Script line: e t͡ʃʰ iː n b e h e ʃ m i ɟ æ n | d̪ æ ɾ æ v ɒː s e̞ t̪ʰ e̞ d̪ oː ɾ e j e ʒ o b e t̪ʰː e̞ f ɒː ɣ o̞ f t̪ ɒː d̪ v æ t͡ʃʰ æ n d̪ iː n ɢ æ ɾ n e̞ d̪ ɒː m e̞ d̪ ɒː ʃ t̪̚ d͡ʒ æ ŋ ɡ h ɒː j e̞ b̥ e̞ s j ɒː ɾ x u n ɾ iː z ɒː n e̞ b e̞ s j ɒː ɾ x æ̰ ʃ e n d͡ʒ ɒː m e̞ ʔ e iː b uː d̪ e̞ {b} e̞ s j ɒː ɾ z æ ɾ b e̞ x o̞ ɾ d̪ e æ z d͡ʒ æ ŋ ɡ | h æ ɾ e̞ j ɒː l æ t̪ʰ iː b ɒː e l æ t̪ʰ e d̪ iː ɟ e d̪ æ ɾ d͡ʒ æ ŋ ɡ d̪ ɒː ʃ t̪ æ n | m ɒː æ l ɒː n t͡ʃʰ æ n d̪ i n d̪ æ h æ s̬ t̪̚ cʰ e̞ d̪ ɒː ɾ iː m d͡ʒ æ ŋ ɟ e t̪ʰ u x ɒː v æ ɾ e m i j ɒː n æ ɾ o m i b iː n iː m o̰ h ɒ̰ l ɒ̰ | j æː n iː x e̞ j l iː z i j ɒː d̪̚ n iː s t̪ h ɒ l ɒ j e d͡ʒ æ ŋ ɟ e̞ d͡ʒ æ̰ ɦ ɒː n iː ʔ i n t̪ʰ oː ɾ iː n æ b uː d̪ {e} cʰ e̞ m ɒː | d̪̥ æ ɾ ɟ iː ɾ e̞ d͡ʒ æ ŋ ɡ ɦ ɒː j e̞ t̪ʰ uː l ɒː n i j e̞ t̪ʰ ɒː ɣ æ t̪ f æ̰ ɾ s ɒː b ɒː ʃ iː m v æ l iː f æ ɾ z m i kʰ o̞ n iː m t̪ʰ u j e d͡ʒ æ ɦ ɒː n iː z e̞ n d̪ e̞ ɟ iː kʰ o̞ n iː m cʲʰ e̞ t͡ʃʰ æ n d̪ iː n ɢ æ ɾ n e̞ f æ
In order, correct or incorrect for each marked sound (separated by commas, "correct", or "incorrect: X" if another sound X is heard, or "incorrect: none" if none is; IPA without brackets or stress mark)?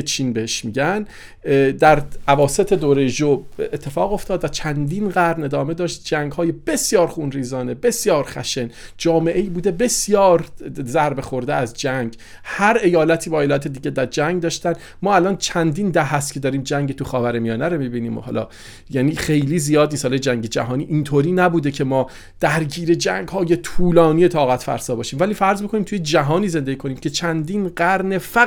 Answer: correct, correct